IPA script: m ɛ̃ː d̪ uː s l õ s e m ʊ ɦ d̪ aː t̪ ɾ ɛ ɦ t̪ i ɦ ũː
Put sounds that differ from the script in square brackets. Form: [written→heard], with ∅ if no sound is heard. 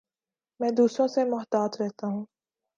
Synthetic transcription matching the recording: m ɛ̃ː d̪ uː s [l→ɾ] õ s e m ʊ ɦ [d̪→t̪] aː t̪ ɾ ɛ ɦ t̪ [i→a] ɦ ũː